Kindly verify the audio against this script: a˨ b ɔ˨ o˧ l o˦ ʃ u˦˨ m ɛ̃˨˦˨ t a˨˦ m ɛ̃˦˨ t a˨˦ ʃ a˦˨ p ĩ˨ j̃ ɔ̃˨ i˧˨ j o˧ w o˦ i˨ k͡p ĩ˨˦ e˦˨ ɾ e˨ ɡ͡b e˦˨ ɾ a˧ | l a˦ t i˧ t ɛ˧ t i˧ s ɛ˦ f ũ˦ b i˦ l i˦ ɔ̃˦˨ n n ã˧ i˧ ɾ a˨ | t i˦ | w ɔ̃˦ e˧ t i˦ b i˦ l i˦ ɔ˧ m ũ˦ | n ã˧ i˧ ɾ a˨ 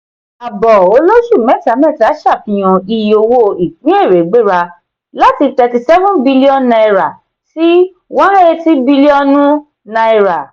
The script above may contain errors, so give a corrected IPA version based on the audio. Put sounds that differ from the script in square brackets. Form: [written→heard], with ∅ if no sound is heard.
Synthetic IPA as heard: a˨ b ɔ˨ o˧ l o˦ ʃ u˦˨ m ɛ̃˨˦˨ t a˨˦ m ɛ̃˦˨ t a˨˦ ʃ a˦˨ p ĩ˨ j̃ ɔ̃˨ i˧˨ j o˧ w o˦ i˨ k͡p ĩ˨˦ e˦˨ ɾ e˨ ɡ͡b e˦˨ ɾ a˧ | l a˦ t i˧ t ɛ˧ t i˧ s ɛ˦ [f→v] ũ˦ b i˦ l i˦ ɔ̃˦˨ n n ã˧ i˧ ɾ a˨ | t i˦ | w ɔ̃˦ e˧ t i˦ b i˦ l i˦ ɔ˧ [m→n] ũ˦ | n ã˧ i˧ ɾ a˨